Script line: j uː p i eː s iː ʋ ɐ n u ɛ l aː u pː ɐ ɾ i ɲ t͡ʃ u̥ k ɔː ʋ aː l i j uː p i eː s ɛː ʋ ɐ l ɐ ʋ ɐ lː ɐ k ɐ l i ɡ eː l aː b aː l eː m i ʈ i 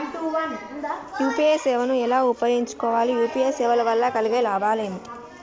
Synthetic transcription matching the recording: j uː p i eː s ɛː ʋ ɐ n u ɛ l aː u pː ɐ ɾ i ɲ t͡ʃ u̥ k ɔː ʋ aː l i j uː p i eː s ɛː ʋ ɐ l ɐ ʋ ɐ lː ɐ k ɐ l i ɡ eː l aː b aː l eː m i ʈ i